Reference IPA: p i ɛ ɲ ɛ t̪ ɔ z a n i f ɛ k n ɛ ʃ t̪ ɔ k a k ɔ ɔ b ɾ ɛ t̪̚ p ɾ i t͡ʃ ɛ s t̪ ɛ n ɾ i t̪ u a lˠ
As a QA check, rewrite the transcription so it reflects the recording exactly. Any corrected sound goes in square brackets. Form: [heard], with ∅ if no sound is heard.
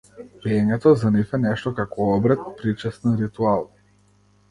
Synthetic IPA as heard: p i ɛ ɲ ɛ t̪ ɔ z a n i f ɛ [∅] n ɛ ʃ t̪ ɔ k a k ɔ ɔ b ɾ ɛ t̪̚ p ɾ i t͡ʃ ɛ s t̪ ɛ n ɾ i t̪ u a lˠ